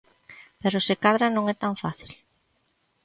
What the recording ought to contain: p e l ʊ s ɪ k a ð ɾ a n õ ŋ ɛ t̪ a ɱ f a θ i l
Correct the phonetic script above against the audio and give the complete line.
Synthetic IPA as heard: p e ɾ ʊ s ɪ k a ð ɾ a n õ ŋ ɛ t̪ a ɱ f a θ i l